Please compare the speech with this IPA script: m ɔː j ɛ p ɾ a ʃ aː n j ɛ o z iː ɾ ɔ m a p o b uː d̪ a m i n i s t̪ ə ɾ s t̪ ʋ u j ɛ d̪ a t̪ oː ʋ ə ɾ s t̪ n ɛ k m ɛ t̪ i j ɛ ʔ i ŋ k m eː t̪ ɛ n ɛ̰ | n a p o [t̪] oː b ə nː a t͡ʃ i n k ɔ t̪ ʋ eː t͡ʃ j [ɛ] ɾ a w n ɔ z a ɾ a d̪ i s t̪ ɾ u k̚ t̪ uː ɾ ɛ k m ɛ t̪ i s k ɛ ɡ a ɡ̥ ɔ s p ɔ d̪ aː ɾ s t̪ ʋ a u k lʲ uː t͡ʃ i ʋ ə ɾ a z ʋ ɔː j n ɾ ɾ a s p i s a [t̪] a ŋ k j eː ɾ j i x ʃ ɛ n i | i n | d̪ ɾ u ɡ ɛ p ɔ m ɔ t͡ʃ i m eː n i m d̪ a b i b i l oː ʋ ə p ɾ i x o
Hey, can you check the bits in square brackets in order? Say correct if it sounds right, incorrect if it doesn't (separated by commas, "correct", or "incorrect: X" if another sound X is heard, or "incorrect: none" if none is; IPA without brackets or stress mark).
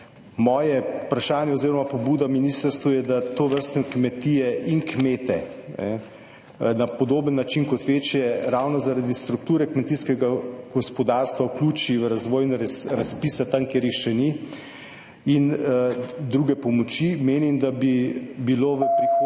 incorrect: d̪, correct, correct